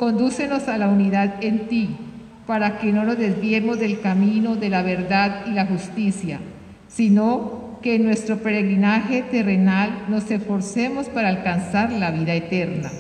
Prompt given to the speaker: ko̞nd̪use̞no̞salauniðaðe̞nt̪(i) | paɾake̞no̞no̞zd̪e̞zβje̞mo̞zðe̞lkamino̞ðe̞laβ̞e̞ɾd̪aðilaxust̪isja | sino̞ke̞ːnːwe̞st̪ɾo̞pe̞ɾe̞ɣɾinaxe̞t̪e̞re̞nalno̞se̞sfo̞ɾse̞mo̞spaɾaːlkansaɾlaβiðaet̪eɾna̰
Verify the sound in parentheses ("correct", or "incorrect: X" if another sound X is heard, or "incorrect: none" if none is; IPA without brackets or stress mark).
correct